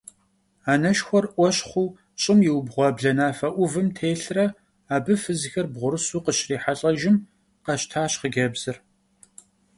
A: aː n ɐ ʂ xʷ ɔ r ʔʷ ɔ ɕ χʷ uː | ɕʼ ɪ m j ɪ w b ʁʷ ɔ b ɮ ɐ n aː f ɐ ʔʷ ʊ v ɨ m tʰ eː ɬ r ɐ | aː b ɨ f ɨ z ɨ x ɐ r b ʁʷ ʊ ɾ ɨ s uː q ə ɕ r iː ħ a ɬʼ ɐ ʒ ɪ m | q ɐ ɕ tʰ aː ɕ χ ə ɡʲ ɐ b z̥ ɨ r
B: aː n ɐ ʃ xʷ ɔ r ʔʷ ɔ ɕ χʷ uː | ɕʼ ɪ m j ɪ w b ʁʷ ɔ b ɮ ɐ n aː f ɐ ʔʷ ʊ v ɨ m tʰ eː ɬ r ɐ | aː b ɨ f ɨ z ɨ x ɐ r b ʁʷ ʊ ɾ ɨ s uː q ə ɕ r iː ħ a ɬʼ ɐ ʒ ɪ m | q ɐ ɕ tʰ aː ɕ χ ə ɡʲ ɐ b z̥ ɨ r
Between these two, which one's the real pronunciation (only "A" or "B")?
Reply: B